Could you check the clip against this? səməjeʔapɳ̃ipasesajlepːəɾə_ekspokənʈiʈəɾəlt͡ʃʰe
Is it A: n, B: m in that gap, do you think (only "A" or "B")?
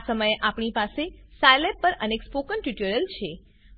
A